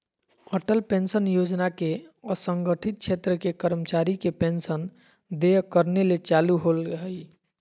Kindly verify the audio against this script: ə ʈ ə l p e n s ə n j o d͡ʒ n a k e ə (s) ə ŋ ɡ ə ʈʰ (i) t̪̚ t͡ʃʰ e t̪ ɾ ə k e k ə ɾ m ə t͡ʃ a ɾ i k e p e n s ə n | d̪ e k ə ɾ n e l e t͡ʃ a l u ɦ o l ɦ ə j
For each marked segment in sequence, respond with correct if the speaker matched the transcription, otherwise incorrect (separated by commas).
correct, correct